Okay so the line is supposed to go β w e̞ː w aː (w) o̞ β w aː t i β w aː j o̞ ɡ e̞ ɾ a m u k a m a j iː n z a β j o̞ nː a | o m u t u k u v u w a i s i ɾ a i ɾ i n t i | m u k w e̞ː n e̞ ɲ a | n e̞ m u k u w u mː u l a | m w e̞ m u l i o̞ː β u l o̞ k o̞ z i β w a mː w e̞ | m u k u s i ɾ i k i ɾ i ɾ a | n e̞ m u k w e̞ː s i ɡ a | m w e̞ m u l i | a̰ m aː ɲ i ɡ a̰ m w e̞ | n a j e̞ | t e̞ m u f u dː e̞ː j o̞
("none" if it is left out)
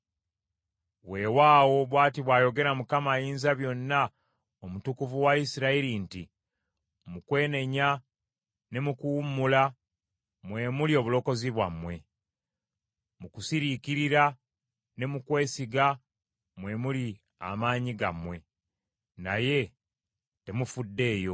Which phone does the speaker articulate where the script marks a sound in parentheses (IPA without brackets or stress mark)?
w